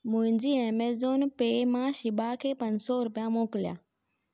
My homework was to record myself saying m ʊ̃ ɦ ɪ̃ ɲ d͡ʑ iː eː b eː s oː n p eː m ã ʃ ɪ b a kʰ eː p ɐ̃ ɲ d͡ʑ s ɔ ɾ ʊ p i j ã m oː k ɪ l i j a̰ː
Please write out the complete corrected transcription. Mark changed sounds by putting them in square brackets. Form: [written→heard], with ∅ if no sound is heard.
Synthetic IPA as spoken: m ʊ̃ ɦ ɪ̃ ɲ d͡ʑ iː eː [b→m] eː [s→z] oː n p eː m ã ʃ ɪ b a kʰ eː p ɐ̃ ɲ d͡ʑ s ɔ ɾ ʊ p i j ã m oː k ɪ l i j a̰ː